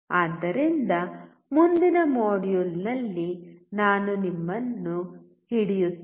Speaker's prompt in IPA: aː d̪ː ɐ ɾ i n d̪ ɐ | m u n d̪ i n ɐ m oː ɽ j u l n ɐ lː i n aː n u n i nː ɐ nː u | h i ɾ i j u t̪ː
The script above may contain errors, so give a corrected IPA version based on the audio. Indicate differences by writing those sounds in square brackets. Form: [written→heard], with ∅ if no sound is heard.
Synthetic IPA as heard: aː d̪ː ɐ ɾ i n d̪ ɐ | m u n d̪ i n ɐ m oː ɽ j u l n ɐ lː i n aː n u n i [nː→mː] ɐ nː u | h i [ɾ→ɽ] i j u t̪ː